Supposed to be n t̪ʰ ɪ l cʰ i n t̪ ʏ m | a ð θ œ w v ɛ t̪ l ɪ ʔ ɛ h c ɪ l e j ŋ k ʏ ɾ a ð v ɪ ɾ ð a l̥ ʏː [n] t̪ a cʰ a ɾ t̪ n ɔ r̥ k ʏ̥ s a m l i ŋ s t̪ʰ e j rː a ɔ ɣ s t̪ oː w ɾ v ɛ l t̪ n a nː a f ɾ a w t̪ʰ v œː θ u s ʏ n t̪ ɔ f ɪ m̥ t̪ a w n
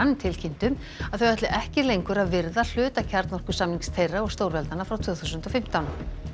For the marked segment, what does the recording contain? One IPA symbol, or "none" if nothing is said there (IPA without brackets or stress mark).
none